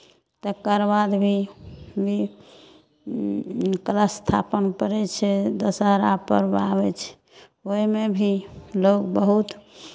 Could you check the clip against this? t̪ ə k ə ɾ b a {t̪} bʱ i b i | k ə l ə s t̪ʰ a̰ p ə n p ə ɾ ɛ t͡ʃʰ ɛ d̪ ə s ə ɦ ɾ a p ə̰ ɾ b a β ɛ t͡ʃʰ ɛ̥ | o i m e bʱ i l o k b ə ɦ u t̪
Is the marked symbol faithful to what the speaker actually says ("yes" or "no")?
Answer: no